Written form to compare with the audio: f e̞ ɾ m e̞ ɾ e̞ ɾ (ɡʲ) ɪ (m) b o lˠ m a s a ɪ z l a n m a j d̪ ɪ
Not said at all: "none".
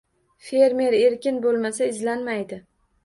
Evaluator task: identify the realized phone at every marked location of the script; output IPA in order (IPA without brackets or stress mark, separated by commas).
kʲ, n